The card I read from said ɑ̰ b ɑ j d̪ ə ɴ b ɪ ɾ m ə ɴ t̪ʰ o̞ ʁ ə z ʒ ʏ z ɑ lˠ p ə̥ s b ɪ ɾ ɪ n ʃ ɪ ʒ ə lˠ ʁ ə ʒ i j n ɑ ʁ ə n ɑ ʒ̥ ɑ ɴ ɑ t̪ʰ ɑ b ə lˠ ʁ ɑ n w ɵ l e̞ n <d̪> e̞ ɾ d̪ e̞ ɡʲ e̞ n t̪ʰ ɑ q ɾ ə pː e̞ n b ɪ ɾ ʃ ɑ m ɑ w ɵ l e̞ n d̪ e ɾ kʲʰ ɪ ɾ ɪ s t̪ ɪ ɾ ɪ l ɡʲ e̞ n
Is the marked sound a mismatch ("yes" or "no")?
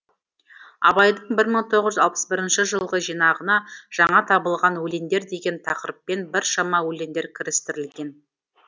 no